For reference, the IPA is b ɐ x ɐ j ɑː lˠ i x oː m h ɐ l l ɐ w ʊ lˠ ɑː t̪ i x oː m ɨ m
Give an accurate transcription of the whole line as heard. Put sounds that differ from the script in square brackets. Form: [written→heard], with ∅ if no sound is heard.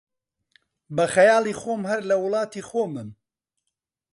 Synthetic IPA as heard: b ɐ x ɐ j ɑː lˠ i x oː m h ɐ [l→ɾ] l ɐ w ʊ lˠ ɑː t̪ i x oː m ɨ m